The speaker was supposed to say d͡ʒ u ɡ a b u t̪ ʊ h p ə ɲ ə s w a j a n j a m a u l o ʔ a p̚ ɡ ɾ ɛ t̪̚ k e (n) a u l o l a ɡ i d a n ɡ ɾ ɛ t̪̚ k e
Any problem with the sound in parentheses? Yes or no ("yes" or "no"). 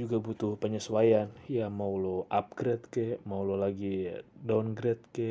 yes